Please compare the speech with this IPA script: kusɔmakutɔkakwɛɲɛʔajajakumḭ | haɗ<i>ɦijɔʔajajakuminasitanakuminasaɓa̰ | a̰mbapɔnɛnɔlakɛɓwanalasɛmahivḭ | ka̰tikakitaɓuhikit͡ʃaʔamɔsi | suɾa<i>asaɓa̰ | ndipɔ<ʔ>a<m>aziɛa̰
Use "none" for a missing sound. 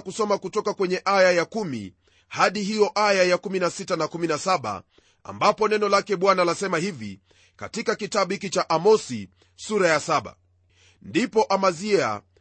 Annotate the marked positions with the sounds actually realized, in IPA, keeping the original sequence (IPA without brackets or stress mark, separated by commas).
i, j, ʔ, m